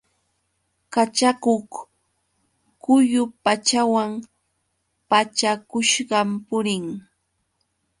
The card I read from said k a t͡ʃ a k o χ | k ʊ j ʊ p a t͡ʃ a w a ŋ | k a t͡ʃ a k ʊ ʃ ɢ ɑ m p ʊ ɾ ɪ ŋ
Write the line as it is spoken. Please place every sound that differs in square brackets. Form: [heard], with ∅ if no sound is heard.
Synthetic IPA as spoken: k a t͡ʃ a k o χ | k ʊ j ʊ p a t͡ʃ a w a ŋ | [p] a t͡ʃ a k ʊ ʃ ɢ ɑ m p ʊ ɾ ɪ ŋ